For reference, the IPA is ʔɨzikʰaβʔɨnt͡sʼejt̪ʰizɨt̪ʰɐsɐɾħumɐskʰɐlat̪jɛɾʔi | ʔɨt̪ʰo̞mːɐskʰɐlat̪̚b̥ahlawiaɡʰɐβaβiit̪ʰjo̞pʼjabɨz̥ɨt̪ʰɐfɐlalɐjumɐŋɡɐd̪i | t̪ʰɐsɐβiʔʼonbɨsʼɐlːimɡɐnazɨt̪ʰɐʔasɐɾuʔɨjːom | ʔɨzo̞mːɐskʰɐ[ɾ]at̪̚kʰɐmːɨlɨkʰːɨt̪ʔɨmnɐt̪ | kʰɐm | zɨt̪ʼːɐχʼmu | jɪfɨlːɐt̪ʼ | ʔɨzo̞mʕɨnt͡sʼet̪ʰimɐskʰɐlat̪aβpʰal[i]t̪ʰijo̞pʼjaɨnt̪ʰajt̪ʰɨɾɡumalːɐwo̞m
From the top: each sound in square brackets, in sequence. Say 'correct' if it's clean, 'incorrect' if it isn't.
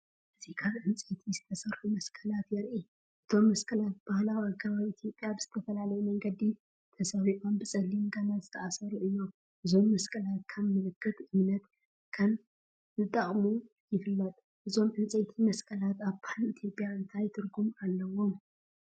incorrect, correct

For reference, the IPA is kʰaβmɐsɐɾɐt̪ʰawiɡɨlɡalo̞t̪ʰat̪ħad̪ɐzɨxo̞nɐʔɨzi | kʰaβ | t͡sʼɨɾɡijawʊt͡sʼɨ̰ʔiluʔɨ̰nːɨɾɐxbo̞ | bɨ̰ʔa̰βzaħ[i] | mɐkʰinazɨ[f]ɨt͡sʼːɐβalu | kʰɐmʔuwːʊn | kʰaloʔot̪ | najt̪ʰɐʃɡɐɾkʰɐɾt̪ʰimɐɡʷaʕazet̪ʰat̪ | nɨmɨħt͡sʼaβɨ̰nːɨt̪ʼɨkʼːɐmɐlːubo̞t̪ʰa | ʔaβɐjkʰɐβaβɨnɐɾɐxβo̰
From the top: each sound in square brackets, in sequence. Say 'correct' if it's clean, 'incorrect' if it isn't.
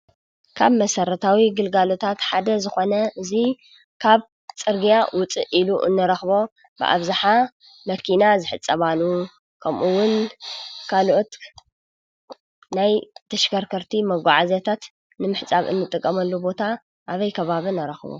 incorrect, incorrect

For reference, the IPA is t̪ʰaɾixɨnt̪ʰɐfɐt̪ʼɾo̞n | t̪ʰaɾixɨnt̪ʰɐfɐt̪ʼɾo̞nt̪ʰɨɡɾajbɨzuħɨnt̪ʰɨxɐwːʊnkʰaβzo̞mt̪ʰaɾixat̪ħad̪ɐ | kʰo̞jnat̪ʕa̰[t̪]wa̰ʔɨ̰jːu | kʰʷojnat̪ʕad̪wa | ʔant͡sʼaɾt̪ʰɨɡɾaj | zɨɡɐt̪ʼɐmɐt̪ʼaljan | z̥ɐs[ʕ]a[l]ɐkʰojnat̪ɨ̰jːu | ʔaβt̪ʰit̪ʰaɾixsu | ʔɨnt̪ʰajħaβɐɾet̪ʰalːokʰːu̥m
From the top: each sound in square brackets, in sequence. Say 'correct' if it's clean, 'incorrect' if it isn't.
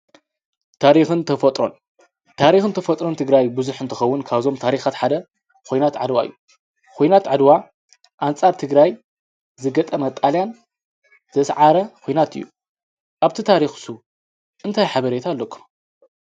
incorrect, correct, incorrect

